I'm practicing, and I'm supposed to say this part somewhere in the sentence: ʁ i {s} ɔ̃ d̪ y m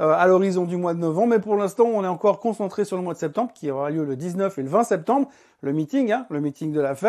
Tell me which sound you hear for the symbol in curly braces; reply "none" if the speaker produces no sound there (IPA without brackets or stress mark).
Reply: z